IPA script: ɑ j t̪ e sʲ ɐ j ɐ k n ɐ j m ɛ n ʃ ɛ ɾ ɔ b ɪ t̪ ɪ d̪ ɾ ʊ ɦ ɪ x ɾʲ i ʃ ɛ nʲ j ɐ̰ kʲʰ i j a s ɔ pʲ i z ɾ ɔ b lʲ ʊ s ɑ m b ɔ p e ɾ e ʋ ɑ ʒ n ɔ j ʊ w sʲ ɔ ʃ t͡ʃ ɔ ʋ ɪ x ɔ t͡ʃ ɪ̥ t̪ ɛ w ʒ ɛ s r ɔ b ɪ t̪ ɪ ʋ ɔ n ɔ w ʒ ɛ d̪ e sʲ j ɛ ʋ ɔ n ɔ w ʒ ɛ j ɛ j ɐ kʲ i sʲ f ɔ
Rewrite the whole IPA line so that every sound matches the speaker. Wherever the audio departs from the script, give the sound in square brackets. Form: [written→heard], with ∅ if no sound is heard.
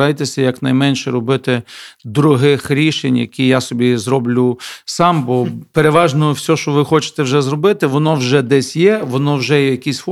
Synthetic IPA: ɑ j t̪ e sʲ ɐ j ɐ k n ɐ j m ɛ n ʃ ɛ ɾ ɔ b ɪ t̪ ɪ d̪ ɾ ʊ ɦ ɪ x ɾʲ i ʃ [ɛ→e] nʲ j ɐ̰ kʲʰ i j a s ɔ [pʲ→bʲ] i z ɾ ɔ b lʲ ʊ s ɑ m b ɔ p e ɾ e ʋ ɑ ʒ n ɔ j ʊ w sʲ ɔ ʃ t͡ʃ ɔ ʋ ɪ x ɔ t͡ʃ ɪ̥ t̪ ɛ w ʒ ɛ [s→z] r ɔ b ɪ t̪ ɪ ʋ ɔ n ɔ w ʒ ɛ d̪ [e→ɛ] sʲ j ɛ ʋ ɔ n ɔ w ʒ ɛ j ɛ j ɐ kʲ i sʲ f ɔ